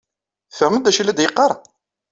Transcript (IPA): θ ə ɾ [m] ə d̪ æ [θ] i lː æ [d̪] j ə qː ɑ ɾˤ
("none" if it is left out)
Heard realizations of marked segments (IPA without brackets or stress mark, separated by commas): m, ʃ, d̪